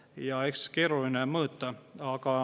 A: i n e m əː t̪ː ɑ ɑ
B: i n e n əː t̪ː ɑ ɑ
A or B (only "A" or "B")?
A